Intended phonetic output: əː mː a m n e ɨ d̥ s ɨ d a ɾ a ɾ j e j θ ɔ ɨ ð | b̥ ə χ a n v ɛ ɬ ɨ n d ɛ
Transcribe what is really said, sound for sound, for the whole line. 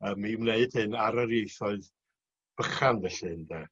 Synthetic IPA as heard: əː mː i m n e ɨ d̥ h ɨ n a ɾ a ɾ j e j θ ɔ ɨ ð | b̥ ə χ a n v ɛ ɬ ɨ n d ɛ